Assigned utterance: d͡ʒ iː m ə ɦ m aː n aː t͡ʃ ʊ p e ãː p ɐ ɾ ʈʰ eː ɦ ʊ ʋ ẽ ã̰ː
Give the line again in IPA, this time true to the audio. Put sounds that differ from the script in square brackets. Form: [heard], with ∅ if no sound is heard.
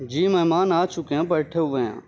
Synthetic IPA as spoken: d͡ʒ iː m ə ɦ m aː n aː t͡ʃ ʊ [k] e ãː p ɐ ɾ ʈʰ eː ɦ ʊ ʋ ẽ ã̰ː